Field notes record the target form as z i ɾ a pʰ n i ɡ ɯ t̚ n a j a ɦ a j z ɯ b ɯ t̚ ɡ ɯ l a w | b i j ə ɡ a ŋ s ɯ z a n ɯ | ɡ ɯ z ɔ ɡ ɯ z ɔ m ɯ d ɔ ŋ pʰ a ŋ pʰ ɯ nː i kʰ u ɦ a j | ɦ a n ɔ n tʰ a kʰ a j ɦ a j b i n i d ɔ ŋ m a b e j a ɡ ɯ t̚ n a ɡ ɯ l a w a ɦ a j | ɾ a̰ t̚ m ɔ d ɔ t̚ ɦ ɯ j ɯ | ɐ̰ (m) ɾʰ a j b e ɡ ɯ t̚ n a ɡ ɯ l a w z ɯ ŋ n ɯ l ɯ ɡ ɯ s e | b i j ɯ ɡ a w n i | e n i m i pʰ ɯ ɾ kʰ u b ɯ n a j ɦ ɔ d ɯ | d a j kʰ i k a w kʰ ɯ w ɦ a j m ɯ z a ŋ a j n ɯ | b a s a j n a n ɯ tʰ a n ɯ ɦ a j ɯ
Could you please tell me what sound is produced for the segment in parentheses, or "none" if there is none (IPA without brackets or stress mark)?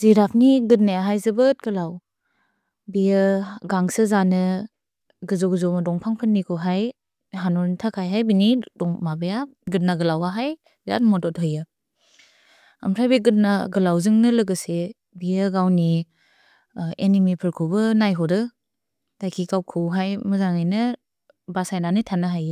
m